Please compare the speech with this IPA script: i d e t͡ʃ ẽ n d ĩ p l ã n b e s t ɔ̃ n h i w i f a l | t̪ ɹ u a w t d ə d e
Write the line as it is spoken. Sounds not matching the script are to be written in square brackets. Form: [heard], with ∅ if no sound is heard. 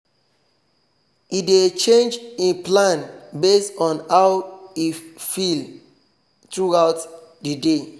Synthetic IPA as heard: i d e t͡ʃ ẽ n [d͡ʒ] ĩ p l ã n b e s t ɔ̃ n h [a] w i f [i] l | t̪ ɹ u a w t d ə d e